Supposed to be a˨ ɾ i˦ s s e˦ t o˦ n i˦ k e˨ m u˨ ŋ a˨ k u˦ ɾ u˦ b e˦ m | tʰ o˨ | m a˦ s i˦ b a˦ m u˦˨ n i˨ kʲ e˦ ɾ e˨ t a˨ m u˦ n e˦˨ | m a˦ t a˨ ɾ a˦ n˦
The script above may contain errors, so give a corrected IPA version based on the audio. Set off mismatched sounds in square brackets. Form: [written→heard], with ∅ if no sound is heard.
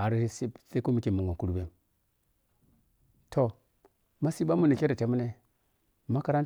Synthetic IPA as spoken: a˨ ɾ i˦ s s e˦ [t→k] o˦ [n→m] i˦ k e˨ m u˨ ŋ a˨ k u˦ ɾ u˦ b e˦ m | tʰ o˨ | m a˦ s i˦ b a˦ m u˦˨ n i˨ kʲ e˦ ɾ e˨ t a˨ m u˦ n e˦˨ | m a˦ [t→k] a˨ ɾ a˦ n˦